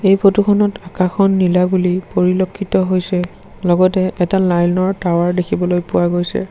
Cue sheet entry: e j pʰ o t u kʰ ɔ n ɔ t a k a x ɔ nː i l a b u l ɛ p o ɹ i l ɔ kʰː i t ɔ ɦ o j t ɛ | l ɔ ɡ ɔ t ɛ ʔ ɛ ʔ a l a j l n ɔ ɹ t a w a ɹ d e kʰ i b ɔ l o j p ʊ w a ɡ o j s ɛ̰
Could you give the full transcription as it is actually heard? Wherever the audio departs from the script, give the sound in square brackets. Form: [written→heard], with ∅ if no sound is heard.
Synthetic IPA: e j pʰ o t u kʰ ɔ n ɔ t a k a x ɔ nː i l a b u l [ɛ→i] p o ɹ i l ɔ kʰː i t ɔ ɦ o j [t→s] ɛ | l ɔ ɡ ɔ t ɛ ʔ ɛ [ʔ→t] a l a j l n ɔ ɹ t a w a ɹ d e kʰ i b ɔ l o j p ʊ w a ɡ o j s ɛ̰